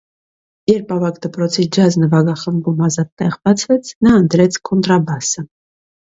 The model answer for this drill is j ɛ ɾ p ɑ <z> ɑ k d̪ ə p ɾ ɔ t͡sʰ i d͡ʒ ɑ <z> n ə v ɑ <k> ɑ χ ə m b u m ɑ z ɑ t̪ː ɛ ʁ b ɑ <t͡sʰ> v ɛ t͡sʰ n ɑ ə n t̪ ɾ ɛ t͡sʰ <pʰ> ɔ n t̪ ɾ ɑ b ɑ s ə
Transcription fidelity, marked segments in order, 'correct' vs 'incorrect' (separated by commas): incorrect, correct, incorrect, correct, incorrect